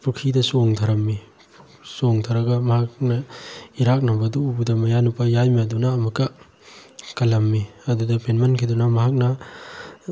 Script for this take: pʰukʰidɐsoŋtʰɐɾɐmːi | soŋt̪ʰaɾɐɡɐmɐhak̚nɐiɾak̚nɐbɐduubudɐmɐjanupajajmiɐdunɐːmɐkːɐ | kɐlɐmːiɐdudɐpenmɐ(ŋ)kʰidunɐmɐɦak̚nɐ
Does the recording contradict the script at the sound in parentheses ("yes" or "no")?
yes